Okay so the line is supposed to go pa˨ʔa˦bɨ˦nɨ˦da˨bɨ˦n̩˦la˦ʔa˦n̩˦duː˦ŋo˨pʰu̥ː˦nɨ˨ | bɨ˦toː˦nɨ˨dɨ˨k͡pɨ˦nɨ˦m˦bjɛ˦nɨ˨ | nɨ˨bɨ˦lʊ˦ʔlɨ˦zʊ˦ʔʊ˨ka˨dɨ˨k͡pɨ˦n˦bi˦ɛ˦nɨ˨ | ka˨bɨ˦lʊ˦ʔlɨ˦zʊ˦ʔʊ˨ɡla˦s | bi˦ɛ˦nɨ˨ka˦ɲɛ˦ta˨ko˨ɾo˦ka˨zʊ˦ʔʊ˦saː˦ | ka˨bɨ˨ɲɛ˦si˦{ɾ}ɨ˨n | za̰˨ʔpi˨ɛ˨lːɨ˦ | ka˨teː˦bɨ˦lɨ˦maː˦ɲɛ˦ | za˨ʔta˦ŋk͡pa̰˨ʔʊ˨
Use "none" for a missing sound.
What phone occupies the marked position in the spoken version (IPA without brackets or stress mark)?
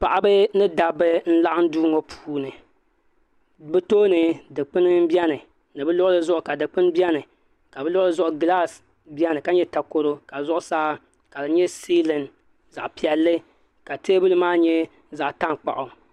l